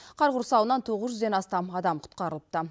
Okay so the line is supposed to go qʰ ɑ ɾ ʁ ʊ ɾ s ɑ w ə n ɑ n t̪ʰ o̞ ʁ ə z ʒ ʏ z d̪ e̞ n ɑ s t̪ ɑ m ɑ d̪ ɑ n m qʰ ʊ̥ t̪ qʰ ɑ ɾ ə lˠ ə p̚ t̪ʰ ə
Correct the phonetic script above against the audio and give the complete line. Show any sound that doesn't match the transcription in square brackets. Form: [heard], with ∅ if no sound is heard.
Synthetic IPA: qʰ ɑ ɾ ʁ ʊ ɾ s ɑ w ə n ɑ n t̪ʰ o̞ ʁ ə z ʒ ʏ z d̪ e̞ n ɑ s t̪ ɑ m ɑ d̪ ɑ [∅] m qʰ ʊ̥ t̪ [q] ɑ ɾ ə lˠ ə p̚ [t̪] ə